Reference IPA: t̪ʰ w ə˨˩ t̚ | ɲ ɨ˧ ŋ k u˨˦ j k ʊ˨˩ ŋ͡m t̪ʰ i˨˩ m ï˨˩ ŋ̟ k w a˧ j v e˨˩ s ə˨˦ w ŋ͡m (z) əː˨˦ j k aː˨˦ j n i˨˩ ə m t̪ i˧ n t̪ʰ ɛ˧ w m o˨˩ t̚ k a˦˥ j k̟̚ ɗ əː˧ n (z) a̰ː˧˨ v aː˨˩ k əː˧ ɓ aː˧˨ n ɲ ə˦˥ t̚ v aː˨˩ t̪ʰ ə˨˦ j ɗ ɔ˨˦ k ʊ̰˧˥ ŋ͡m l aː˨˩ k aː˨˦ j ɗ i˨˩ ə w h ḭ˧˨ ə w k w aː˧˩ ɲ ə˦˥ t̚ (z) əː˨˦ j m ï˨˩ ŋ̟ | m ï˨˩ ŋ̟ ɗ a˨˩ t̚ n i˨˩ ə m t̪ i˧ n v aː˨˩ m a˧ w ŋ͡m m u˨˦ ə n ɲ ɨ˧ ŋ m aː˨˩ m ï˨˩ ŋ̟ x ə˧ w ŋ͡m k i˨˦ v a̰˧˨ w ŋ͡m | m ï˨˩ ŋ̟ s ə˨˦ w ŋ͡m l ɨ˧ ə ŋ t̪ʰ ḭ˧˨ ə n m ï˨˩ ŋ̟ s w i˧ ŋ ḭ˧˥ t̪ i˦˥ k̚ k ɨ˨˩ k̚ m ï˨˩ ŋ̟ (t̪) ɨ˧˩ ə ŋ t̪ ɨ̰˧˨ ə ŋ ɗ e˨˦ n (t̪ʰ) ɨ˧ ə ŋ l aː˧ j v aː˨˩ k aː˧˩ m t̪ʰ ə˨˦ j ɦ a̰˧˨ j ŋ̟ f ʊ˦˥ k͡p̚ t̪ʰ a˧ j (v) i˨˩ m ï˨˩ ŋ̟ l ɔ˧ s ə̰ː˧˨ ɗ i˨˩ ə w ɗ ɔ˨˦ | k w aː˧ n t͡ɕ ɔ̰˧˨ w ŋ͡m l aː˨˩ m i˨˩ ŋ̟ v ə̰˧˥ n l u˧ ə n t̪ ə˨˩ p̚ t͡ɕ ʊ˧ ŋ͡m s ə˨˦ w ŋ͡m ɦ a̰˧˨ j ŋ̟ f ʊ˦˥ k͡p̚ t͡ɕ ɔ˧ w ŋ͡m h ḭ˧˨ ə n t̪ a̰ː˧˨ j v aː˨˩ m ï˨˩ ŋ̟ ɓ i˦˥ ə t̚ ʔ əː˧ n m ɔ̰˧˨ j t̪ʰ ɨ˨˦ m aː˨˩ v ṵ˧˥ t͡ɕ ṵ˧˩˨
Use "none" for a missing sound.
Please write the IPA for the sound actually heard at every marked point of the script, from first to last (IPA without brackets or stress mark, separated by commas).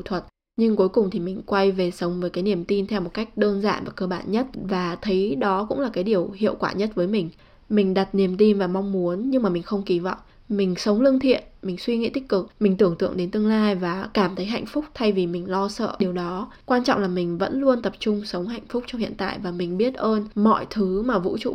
v, z, v, t̪, t̪, v